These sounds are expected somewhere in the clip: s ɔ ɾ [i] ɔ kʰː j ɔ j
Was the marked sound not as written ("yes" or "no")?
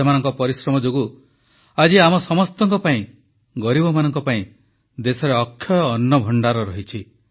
yes